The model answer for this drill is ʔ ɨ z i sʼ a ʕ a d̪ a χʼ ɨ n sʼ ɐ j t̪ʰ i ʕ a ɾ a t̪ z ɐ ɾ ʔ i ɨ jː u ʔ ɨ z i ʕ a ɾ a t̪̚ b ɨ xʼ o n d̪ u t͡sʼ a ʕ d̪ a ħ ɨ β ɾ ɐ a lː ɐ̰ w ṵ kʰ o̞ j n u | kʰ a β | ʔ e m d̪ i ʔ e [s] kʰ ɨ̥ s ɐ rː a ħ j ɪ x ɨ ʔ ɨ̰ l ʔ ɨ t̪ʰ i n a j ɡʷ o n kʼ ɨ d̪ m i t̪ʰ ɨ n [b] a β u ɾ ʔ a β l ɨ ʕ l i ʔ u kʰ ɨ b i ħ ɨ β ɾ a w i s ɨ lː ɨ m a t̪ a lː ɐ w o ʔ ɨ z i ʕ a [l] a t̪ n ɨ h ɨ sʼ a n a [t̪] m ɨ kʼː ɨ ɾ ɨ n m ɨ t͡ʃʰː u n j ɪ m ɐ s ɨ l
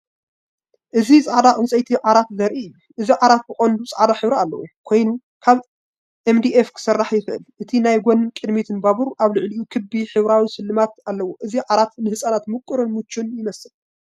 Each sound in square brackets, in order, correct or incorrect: incorrect: f, correct, incorrect: ɾ, correct

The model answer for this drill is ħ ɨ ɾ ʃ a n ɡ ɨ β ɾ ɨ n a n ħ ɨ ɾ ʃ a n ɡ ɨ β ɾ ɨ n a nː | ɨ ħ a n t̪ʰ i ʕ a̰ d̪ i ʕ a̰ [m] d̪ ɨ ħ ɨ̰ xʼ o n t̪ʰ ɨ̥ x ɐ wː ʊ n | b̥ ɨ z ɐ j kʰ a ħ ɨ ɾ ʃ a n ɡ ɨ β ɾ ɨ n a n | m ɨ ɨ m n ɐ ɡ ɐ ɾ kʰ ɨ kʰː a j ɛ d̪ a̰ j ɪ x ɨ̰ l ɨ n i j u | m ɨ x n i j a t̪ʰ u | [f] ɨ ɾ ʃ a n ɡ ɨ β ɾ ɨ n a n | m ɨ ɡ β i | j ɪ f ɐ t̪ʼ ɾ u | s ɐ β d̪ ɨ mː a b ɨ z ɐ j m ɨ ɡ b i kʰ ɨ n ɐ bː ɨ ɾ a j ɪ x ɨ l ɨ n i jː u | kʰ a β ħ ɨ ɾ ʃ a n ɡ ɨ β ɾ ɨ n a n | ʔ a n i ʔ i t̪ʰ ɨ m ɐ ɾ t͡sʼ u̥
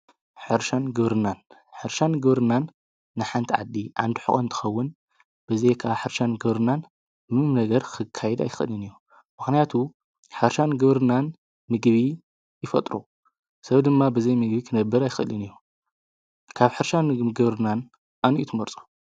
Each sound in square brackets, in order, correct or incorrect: incorrect: n, incorrect: ħ

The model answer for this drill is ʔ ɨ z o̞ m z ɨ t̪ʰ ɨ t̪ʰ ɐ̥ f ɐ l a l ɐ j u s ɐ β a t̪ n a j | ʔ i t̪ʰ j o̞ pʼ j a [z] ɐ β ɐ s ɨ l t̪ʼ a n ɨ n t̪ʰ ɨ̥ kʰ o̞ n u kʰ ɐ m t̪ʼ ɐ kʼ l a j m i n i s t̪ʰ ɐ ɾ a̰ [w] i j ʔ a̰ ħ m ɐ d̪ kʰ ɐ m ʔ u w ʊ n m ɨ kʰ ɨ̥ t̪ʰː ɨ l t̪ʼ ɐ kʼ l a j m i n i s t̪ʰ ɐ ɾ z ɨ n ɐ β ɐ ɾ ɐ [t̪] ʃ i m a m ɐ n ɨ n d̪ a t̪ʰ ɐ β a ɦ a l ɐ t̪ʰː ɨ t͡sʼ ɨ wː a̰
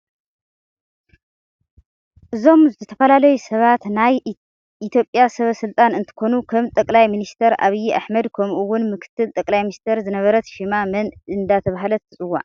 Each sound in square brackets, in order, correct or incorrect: incorrect: s, incorrect: β, correct

